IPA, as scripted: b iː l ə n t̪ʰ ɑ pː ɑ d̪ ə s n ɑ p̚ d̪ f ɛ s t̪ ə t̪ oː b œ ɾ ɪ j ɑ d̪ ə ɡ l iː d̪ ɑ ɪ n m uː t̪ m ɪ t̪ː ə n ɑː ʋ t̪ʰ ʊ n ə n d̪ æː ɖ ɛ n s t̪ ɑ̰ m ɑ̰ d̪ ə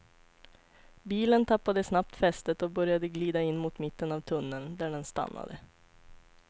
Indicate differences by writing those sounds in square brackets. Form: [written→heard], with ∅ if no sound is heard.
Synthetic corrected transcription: b iː l ə n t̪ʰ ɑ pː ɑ d̪ ə s n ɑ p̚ [d̪→t̪] f ɛ s t̪ ə t̪ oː b œ ɾ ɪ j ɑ d̪ ə ɡ l iː d̪ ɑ ɪ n m uː t̪ m ɪ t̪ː ə n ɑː ʋ t̪ʰ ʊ n ə n d̪ æː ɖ ɛ n s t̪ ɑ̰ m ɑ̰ d̪ ə